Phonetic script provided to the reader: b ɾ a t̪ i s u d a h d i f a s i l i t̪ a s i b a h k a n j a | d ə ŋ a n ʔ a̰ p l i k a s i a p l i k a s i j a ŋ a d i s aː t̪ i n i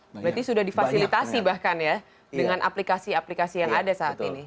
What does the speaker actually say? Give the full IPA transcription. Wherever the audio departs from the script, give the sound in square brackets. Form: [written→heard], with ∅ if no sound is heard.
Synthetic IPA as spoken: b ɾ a t̪ i s u d a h d i f a s i l i t̪ a s i b a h k a n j a | d ə ŋ a n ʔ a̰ p l i k a s i a p l i k a s i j a ŋ a d [i→a] s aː t̪ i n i